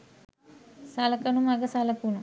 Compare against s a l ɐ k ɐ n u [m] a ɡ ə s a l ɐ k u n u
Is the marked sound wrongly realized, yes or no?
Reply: no